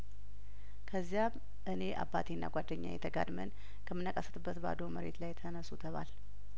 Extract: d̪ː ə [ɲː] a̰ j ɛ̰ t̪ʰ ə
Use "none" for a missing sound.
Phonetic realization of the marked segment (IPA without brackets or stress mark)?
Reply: ɲː